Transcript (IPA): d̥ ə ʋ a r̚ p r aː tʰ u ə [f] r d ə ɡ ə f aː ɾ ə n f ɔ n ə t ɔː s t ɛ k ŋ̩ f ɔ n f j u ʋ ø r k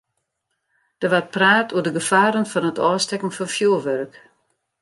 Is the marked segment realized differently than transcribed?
yes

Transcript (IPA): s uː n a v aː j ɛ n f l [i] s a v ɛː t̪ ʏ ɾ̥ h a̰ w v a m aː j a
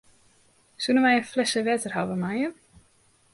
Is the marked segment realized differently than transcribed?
yes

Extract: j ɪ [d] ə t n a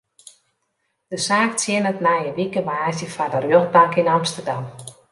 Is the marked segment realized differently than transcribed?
yes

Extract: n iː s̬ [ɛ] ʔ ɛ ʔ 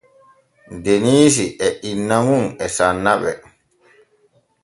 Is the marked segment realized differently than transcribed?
yes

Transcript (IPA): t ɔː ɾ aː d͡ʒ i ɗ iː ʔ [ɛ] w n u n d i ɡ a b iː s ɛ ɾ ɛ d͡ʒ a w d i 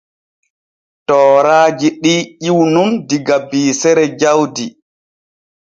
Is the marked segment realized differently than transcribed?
yes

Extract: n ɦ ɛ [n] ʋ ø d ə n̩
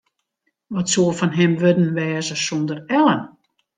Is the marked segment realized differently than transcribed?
yes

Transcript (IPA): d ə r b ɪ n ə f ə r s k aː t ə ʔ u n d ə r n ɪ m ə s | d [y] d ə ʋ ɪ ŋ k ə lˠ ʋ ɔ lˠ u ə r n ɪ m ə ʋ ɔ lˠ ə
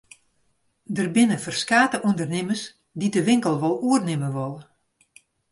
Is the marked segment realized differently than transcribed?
yes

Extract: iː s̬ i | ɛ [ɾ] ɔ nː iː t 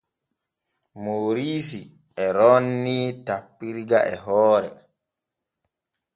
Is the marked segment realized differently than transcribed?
no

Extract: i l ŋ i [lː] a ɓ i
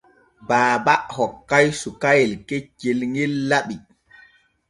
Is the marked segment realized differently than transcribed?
no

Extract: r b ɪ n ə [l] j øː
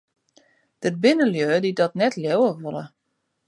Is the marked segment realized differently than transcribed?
no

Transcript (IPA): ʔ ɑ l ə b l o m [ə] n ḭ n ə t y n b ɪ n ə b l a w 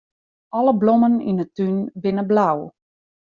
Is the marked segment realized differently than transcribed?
no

